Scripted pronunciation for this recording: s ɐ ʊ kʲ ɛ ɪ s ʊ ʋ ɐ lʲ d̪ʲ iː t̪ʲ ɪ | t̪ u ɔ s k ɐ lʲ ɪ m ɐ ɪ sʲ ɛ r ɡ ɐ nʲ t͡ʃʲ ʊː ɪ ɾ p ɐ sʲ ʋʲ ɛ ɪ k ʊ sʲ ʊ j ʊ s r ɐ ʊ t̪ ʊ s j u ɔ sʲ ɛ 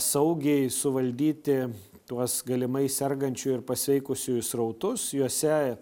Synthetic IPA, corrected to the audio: s ɐ ʊ ɡʲ ɛ ɪ s ʊ ʋ ɐ lʲ d̪ʲ iː t̪ʲ ɪ | t̪ u ɔ s ɡ ɐ lʲ ɪ m ɐ ɪ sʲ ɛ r ɡ ɐ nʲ t͡ʃʲ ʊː ɪ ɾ p ɐ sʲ ʋʲ ɛ ɪ k ʊ sʲ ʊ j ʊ s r ɐ ʊ t̪ ʊ s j u ɔ sʲ ɛ